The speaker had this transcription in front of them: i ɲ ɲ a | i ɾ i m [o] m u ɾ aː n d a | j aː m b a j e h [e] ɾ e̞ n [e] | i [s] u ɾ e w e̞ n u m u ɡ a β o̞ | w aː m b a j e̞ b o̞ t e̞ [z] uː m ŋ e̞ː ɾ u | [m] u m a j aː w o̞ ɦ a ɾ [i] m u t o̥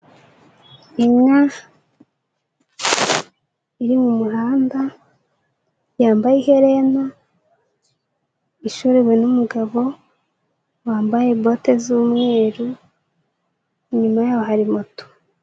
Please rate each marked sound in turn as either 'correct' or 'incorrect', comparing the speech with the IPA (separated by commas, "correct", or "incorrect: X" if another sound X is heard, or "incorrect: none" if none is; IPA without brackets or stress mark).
incorrect: u, correct, incorrect: a, incorrect: ʃ, correct, incorrect: ɲ, correct